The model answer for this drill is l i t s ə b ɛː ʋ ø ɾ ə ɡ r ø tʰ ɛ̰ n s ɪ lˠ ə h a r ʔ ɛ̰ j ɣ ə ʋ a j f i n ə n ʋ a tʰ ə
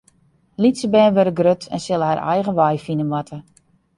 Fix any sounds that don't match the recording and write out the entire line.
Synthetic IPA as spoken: l i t s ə b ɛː ʋ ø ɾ ə ɡ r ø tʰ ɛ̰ n s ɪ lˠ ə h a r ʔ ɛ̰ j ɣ ə ʋ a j f i n ə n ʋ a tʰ ə